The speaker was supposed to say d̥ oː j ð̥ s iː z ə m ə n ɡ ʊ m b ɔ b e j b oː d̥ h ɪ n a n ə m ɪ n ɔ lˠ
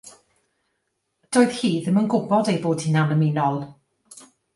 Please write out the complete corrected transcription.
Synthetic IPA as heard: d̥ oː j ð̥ h iː ð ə m ə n ɡ ʊ b ɔ d e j b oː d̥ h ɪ n a n ə m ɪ n ɔ lˠ

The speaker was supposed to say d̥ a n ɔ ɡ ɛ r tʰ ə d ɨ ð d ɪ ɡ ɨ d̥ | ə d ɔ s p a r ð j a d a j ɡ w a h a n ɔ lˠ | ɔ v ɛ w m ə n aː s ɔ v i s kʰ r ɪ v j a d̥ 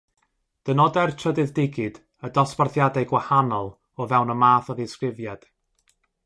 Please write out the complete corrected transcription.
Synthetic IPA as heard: d̥ ə n ɔ d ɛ r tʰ ə d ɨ ð d ɪ ɡ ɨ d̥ | ə d ɔ s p a r θ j a d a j ɡ w a h a n ɔ lˠ | ɔ v ɛ w n ə m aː θ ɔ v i s k r ɪ v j a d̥

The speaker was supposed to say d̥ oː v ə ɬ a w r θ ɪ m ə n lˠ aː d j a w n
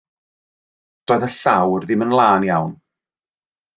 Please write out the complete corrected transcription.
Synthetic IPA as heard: d̥ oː ð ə ɬ a w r ð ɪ m ə n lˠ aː n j a w n

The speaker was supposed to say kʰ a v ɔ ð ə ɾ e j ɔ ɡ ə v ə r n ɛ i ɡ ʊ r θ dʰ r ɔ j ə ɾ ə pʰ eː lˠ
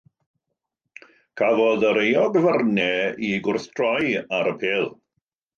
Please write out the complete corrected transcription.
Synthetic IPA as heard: kʰ a v ɔ ð ə ɾ e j ɔ ɡ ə v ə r n ɛ i ɡ ʊ r θ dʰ r ɔ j a ɾ ə pʰ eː lˠ

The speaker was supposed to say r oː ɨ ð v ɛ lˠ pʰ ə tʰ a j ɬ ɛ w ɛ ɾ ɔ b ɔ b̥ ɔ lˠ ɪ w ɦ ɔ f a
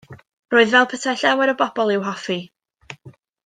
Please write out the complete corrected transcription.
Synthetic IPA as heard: r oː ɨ ð v ɛ lˠ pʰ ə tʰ a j ɬ ɛ w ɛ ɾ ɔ b ɔ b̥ ɔ lˠ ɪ w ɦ ɔ f i

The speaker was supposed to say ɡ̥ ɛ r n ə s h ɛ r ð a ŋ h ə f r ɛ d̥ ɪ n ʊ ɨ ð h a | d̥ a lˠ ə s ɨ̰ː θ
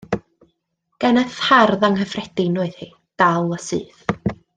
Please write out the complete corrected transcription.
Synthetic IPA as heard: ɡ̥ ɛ n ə θ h a r ð a ŋ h ə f r ɛ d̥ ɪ n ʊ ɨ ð h i | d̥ a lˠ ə s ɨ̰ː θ

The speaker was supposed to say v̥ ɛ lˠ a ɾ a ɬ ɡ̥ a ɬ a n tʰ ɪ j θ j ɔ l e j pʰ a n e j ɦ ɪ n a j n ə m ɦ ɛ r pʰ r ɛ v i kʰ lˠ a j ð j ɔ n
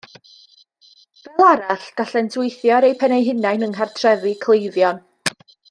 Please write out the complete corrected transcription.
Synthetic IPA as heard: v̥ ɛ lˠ a ɾ a ɬ ɡ̥ a ɬ ɛ n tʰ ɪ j θ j ɔ ɾ e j pʰ ɛ n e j ɦ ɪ n a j n ə ŋ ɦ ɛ r tʰ r ɛ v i kʰ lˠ e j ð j ɔ n

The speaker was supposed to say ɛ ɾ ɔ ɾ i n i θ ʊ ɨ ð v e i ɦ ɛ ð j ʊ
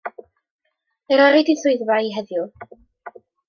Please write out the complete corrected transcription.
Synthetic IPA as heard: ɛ ɾ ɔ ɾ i d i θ ʊ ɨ ð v a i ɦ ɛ ð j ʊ

